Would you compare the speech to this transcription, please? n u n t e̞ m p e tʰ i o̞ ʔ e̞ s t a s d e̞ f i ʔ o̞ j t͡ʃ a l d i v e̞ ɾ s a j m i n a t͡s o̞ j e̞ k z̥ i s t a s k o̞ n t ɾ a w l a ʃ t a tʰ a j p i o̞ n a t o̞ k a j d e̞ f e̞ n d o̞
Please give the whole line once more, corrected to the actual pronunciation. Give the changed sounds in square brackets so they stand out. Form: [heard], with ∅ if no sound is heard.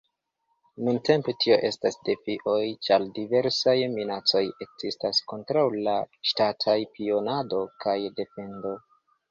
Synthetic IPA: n u n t e̞ m p e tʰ i o̞ ʔ e̞ s t a s d e̞ f i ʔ o̞ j t͡ʃ a l d i v e̞ ɾ s a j m i n a t͡s o̞ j e̞ k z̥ i s t a s k o̞ n t ɾ a w l a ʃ t a tʰ a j p i o̞ n a [d] o̞ k a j d e̞ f e̞ n d o̞